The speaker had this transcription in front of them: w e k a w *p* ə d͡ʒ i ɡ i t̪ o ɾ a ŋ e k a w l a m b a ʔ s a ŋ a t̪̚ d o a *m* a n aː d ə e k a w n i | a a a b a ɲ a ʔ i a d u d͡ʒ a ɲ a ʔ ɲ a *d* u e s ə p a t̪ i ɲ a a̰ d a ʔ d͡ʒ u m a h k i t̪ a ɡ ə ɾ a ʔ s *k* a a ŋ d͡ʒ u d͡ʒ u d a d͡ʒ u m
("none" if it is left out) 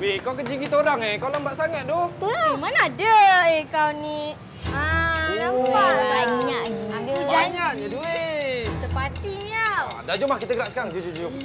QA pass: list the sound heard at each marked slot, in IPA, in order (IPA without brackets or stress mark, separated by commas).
k, m, d, k